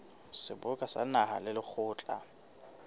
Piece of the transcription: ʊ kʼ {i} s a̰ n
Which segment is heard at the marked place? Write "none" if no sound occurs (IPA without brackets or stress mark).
a